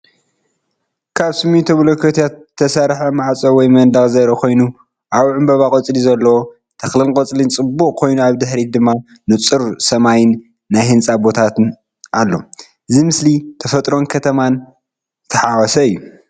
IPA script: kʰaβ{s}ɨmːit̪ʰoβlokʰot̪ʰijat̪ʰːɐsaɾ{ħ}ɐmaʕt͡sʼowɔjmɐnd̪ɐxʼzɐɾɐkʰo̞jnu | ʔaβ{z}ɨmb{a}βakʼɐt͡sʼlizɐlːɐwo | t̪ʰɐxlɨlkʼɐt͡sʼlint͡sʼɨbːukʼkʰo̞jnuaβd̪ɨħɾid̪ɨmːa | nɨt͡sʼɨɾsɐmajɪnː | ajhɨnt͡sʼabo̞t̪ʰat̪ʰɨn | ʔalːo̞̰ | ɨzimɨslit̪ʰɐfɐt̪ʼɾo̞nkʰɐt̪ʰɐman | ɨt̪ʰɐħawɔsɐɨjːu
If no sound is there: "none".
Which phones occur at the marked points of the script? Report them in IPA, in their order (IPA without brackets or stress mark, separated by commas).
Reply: s, ħ, ʕ, ɐ